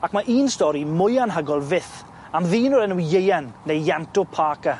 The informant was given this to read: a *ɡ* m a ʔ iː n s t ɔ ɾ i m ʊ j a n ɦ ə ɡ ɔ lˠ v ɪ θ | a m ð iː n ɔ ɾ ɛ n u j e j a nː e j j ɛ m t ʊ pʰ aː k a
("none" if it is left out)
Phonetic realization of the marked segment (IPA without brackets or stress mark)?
k